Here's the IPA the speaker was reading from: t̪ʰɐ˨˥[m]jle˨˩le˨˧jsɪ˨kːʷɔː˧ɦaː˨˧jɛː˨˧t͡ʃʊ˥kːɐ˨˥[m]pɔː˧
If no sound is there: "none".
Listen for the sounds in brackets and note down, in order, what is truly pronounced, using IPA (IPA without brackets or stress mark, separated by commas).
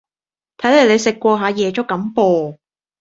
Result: none, m